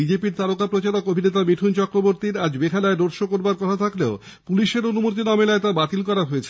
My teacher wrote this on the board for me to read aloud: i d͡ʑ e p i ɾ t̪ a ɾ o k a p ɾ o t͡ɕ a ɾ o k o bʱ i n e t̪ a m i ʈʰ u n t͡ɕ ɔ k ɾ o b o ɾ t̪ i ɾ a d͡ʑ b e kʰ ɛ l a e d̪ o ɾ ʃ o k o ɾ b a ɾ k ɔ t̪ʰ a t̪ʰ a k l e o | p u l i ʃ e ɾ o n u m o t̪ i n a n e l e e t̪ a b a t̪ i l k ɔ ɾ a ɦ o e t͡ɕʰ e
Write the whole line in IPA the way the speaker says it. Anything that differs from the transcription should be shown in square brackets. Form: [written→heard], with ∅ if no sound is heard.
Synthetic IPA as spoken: i d͡ʑ e p i ɾ t̪ a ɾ o k a p ɾ o t͡ɕ a ɾ o k o bʱ i n e t̪ a m i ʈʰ u n t͡ɕ ɔ k ɾ o b o ɾ t̪ i ɾ a d͡ʑ b e kʰ [ɛ→a] l a e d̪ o ɾ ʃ o k o ɾ b a ɾ k ɔ t̪ʰ a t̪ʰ a k l e o | p u l i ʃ e ɾ o n u m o t̪ i n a [n→m] e l [e→a] e t̪ a b a t̪ i l k ɔ ɾ a ɦ o e t͡ɕʰ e